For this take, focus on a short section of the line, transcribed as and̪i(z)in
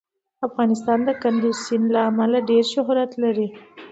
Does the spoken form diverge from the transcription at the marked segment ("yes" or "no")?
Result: yes